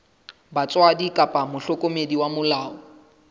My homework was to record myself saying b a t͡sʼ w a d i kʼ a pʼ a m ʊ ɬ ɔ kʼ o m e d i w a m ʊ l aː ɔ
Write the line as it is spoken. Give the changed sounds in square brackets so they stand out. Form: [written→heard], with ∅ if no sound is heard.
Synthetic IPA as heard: b a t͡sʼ w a d i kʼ a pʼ a m ʊ ɬ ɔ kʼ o m e d i w a m ʊ l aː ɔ